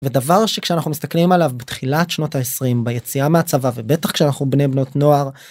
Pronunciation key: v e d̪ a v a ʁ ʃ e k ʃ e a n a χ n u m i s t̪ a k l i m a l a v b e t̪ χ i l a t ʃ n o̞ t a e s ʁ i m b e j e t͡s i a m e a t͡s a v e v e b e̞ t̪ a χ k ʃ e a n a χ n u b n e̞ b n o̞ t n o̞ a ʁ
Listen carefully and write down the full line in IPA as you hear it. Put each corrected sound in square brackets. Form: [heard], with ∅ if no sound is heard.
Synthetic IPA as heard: v e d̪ a v a ʁ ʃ e k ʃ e a n a χ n u m i s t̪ a k l i m a l a v b e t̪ χ i l a t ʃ n o̞ t a e s ʁ i m b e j e t͡s i a m e a t͡s a v [a] v e b e̞ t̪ a χ k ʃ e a n a χ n u b n e̞ b n o̞ t n o̞ a ʁ